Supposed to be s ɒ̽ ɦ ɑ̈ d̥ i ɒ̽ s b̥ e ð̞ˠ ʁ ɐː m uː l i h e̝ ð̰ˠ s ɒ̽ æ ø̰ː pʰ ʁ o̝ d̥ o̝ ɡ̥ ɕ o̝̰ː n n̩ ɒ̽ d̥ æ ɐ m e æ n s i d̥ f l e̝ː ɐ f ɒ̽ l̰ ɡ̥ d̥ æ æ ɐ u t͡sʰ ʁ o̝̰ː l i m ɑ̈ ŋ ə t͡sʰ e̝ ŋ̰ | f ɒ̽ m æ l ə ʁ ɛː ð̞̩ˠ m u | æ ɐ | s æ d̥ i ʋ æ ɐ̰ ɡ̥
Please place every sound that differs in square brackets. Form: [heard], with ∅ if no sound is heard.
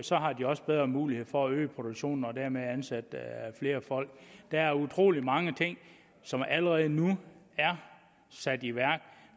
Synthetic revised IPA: s ɒ̽ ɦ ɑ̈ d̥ i ɒ̽ s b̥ e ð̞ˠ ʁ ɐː m uː l i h e̝ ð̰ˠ [f] ɒ̽ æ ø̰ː pʰ ʁ o̝ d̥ o̝ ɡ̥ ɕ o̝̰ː n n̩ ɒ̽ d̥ æ ɐ m e æ n s [æ] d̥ f l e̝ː ɐ f ɒ̽ l̰ ɡ̥ d̥ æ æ ɐ u t͡sʰ ʁ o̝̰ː l i m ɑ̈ ŋ ə t͡sʰ e̝ ŋ̰ | [s] ɒ̽ m æ l ə ʁ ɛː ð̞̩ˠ [n] u | æ ɐ | s æ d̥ i ʋ æ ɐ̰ ɡ̥